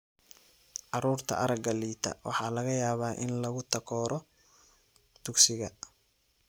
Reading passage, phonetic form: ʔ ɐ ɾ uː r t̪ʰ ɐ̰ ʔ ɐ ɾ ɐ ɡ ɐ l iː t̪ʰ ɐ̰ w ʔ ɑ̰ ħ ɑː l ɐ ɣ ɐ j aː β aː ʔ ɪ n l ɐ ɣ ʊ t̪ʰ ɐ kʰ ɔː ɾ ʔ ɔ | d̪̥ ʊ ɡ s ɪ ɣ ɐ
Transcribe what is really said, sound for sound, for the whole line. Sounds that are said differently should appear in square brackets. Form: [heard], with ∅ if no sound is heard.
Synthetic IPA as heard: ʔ [ɑ] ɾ uː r t̪ʰ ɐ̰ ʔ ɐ ɾ ɐ ɡ ɐ l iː t̪ʰ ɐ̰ w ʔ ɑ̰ ħ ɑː l ɐ ɣ ɐ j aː β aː ʔ ɪ n l ɐ ɣ ʊ t̪ʰ ɐ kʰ ɔː ɾ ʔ ɔ | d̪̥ ʊ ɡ s ɪ ɣ ɐ